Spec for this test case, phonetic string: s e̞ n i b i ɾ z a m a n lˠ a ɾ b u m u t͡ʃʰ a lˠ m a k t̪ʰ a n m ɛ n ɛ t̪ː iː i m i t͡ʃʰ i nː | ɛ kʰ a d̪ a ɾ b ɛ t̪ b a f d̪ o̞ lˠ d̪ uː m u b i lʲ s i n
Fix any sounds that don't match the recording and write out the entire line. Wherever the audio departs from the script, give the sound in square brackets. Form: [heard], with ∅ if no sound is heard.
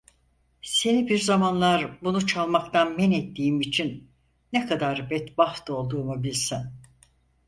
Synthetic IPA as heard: s e̞ n i b i ɾ z a m a n lˠ a ɾ b u [n] u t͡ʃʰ a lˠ m a k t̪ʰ a n m ɛ n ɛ t̪ː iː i m i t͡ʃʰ i nː | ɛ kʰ a d̪ a ɾ b ɛ t̪ b a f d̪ o̞ lˠ d̪ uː m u b i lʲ s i n